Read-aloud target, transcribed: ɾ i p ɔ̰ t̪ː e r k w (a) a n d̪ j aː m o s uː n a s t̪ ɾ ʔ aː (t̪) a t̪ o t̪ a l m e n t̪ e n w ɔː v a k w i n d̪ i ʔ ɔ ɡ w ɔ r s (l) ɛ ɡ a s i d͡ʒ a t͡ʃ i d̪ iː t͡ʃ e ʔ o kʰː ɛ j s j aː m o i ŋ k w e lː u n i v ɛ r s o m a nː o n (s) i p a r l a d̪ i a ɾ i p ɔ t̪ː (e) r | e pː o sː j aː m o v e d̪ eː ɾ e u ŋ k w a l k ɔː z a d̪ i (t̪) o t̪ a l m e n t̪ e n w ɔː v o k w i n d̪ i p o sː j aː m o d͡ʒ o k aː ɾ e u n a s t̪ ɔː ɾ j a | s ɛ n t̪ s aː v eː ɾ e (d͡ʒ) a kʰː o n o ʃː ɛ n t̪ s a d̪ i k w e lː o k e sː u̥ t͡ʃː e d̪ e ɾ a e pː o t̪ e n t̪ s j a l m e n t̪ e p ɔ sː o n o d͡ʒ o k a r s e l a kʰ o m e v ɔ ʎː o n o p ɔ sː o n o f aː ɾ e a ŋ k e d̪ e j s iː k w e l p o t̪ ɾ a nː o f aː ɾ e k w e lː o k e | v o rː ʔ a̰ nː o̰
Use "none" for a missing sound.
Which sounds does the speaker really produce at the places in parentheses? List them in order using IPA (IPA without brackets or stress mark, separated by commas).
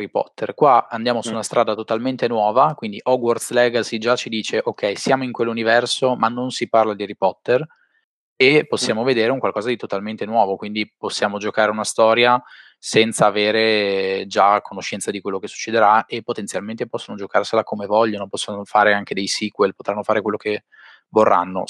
a, d̪, l, s, e, t̪, d͡ʒ